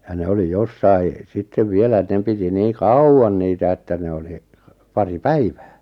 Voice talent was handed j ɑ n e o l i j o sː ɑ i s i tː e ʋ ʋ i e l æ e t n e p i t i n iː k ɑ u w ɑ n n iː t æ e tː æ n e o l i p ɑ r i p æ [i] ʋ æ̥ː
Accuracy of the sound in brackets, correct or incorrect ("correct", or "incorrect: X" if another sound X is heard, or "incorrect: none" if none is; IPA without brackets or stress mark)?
correct